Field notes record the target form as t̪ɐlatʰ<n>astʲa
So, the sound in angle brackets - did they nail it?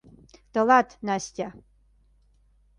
yes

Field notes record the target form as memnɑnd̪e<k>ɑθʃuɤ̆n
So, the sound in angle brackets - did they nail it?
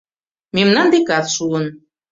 yes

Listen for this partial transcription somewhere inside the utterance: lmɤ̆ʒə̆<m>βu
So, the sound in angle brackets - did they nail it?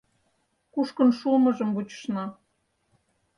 yes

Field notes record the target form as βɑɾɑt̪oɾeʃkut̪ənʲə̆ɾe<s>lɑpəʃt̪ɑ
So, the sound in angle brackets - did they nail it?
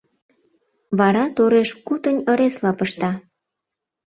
yes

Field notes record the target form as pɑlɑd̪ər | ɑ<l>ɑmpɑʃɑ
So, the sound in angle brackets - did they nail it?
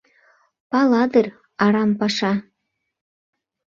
no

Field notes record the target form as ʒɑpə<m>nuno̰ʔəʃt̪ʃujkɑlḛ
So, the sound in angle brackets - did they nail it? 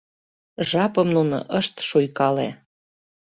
yes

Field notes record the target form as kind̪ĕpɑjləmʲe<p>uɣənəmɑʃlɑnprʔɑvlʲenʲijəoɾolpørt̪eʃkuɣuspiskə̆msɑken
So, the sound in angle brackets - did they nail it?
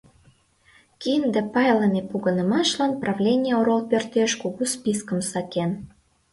yes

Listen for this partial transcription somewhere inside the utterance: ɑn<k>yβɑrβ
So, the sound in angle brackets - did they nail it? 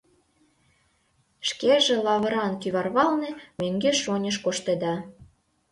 yes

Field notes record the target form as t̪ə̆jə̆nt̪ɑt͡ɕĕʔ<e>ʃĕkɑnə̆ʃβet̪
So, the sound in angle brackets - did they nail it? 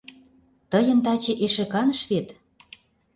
yes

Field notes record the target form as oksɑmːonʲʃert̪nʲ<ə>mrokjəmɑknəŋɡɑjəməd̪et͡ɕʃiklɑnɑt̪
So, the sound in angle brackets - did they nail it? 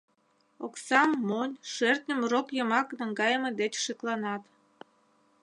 yes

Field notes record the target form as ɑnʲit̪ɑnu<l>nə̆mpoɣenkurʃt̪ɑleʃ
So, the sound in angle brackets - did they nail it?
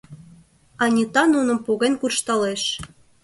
no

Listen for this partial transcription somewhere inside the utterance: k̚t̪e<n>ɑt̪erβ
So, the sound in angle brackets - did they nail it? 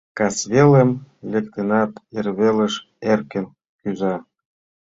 yes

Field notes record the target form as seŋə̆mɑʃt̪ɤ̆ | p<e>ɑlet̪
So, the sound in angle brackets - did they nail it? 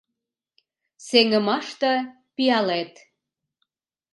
no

